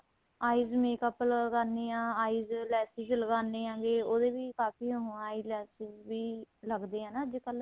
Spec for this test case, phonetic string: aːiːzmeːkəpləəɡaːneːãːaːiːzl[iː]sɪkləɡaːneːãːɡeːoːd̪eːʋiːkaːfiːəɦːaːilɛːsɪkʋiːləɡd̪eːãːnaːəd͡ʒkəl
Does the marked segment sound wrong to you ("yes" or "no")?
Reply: yes